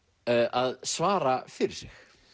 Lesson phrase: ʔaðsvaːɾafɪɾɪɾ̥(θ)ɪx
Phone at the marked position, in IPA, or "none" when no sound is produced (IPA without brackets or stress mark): s